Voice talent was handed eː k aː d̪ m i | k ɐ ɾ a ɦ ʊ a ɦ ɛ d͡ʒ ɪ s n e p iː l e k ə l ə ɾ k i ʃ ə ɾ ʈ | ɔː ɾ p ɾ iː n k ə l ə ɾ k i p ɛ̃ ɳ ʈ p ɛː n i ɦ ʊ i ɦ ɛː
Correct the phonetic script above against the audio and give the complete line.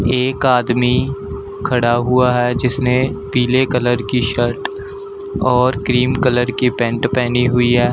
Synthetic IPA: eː k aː d̪ m i | kʰ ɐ ɽ a ɦ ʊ a ɦ ɛ d͡ʒ ɪ s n e p iː l e k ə l ə ɾ k i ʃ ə ɾ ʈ | ɔː ɾ k ɾ iː m k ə l ə ɾ k i p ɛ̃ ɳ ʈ p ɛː n i ɦ ʊ i ɦ ɛː